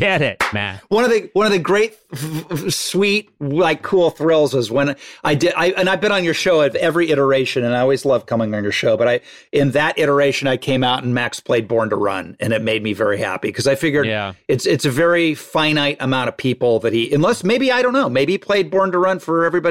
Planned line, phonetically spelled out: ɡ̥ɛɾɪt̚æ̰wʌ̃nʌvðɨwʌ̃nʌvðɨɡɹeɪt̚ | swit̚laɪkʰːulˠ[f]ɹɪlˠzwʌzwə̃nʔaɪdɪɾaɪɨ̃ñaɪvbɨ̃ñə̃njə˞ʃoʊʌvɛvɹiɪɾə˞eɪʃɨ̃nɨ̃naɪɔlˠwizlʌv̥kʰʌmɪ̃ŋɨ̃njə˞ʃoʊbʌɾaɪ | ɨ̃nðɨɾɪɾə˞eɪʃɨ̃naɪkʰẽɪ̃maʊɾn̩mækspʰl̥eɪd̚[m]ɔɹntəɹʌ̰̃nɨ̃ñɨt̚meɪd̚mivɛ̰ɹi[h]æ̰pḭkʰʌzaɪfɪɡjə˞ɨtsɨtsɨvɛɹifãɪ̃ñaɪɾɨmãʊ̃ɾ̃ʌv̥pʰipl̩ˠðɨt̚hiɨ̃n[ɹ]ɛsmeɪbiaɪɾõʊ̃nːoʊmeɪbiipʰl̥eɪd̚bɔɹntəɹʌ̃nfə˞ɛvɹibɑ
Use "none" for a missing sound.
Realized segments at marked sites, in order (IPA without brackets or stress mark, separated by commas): θ, b, h, l